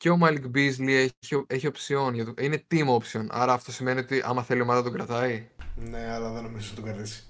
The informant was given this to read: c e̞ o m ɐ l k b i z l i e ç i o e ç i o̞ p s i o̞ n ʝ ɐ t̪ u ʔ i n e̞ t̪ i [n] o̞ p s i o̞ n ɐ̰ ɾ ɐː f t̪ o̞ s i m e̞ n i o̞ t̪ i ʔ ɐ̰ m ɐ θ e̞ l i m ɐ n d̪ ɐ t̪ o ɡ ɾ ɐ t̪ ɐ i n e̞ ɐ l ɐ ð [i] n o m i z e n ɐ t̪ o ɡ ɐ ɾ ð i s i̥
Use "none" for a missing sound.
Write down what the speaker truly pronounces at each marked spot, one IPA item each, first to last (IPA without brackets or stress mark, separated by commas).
m, e